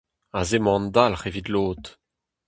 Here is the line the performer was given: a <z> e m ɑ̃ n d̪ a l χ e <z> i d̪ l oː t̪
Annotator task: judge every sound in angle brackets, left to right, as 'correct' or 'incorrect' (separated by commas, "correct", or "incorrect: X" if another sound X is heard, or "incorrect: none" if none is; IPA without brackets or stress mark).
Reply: correct, incorrect: v